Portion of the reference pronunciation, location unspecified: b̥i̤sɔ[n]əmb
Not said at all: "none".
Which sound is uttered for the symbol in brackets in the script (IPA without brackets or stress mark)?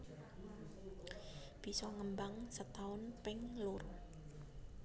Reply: ŋ